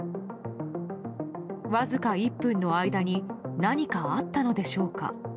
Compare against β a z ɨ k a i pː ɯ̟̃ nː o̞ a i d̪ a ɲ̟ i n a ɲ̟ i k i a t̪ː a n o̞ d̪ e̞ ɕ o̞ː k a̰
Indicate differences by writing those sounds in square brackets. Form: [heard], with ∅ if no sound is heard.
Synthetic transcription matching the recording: β a z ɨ k a i pː ɯ̟̃ nː o̞ a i d̪ a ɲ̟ i n a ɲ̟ i k [a] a t̪ː a n o̞ d̪ e̞ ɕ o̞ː k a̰